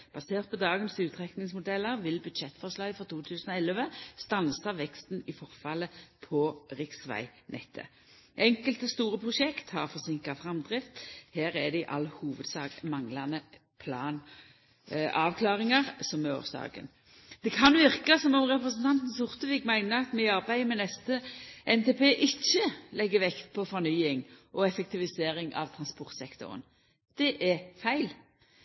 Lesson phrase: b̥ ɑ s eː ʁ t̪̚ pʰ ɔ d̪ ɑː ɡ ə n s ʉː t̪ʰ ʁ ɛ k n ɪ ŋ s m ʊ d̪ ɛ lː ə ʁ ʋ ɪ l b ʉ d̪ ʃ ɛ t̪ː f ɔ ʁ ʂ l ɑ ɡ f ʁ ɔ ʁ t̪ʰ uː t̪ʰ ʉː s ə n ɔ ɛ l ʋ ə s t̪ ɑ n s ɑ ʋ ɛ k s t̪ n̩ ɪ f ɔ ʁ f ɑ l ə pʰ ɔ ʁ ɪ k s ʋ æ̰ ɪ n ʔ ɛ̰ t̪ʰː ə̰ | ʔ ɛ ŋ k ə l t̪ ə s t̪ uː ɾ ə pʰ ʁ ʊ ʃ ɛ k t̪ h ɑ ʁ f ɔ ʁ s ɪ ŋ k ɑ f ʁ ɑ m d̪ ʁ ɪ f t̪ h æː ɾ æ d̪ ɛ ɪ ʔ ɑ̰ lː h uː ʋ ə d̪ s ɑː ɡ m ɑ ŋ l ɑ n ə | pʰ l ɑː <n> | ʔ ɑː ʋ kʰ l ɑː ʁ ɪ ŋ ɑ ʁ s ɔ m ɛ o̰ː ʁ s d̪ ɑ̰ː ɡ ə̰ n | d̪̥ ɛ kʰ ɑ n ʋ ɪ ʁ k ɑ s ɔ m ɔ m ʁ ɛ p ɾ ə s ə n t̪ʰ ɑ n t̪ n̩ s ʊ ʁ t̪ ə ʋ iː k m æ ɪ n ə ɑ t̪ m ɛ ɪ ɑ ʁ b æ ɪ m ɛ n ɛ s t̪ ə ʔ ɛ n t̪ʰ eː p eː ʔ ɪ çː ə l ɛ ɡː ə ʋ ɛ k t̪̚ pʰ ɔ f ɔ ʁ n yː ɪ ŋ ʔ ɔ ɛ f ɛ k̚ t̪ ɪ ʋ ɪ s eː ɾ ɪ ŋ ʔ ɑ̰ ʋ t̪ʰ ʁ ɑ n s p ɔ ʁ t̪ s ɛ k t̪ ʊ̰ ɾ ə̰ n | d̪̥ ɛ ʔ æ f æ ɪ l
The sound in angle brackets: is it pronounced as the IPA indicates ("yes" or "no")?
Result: yes